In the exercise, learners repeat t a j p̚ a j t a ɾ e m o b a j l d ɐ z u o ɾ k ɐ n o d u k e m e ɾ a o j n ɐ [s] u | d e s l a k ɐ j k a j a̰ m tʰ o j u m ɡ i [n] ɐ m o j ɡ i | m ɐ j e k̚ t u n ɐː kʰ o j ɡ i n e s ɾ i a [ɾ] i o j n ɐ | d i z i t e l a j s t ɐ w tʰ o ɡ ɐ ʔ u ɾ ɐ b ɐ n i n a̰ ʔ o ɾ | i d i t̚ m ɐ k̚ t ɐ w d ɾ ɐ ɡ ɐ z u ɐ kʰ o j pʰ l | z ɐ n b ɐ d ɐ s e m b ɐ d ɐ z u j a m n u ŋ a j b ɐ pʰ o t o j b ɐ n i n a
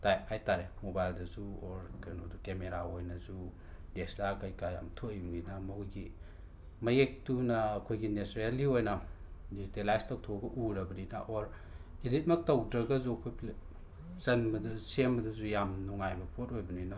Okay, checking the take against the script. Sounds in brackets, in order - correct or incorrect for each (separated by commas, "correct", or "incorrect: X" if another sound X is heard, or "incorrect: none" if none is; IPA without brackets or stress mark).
incorrect: z, correct, incorrect: l